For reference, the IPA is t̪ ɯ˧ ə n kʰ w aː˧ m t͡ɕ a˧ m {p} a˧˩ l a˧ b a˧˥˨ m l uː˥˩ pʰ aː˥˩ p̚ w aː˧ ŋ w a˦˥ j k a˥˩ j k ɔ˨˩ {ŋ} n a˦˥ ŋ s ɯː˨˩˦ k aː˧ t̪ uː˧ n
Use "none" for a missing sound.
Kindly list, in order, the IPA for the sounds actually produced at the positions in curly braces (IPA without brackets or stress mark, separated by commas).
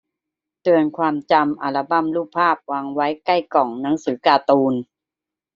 ʔ, ŋ